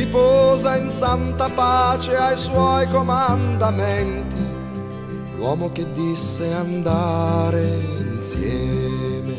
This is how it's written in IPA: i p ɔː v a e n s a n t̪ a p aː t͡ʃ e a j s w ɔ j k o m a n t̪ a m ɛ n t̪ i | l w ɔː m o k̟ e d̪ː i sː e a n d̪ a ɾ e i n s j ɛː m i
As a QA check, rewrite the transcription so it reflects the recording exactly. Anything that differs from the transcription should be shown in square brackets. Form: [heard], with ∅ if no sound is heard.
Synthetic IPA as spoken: i p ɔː [z] a [i] n s a n t̪ a p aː t͡ʃ e a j s w ɔ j k o m a n [d̪] a m ɛ n t̪ i | l w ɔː m o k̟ e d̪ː i sː e a n d̪ a ɾ e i n s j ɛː m [e]

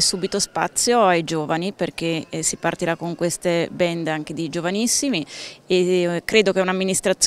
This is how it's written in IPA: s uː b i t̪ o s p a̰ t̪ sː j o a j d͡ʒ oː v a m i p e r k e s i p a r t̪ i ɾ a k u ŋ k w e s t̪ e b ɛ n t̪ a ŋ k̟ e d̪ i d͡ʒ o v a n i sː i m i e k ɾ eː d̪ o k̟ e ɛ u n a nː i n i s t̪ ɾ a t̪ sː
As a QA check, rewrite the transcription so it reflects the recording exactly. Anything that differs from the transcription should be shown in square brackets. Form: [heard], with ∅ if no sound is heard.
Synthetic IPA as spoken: s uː b i t̪ o s p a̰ t̪ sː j o a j d͡ʒ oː v a [n] i p e r k e s i p a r t̪ i ɾ a k [o] ŋ k w e s t̪ e b ɛ n [d̪] a ŋ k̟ e d̪ i d͡ʒ o v a n i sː i m i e k ɾ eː d̪ o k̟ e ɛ u n a [mː] i n i s t̪ ɾ a t̪ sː

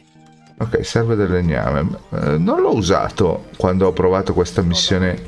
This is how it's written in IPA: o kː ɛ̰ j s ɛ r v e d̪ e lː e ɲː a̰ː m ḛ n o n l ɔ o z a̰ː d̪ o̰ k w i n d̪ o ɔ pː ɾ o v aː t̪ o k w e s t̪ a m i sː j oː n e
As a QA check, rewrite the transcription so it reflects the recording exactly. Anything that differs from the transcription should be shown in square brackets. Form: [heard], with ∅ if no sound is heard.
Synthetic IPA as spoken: o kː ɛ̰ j s ɛ r v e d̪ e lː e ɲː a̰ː m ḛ n o n l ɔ [u] z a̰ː [t̪] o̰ k w [a] n d̪ o ɔ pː ɾ o v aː t̪ o k w e s t̪ a m i sː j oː n e

